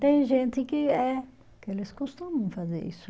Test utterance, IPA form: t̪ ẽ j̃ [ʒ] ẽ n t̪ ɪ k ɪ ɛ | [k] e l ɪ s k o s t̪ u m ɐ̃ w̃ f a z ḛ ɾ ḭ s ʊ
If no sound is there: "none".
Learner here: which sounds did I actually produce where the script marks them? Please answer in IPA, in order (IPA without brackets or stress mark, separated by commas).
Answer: ʒ, k